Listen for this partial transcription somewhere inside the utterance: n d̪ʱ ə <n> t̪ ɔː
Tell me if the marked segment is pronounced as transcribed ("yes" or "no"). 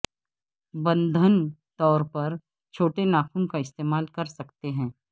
yes